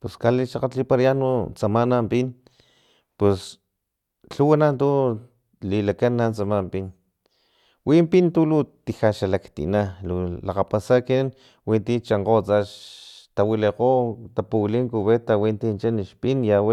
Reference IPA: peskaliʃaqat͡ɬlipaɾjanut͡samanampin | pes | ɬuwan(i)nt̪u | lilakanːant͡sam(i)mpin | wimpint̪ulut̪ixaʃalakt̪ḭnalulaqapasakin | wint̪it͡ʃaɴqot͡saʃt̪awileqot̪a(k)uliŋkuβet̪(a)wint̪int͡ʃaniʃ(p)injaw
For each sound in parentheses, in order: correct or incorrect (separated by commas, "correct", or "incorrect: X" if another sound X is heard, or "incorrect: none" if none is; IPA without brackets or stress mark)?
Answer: incorrect: a, incorrect: a, incorrect: p, correct, correct